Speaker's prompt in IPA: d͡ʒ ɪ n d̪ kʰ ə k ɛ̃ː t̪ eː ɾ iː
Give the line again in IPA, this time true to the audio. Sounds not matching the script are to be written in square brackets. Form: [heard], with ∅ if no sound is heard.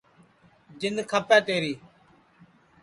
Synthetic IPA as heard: d͡ʒ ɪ n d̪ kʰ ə [p] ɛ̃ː t̪ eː ɾ iː